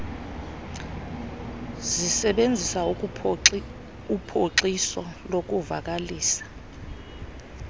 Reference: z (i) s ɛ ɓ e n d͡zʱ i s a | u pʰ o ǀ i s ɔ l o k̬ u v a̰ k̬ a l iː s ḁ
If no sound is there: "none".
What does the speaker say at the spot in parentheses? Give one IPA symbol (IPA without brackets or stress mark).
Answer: i